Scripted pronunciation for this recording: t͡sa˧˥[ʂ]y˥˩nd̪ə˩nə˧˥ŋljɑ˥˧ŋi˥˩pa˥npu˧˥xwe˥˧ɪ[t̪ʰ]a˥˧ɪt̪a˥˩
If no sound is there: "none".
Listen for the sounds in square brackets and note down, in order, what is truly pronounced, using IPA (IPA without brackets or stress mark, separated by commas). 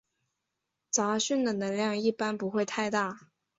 ɕ, t̪ʰ